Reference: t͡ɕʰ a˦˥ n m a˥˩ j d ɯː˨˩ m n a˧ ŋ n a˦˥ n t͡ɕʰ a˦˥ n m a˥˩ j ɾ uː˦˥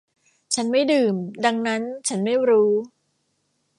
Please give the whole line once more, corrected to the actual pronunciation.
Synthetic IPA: t͡ɕʰ a˦˥ n m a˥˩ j d ɯː˨˩ m d a˧ ŋ n a˦˥ n t͡ɕʰ a˦˥ n m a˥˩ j ɾ uː˦˥